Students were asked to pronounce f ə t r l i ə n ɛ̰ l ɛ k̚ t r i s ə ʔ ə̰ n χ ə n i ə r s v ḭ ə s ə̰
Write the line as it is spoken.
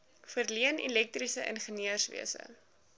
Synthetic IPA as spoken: f ə r l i ə n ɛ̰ l ɛ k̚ t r i s ə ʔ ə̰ n χ ə n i ə r s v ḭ ə s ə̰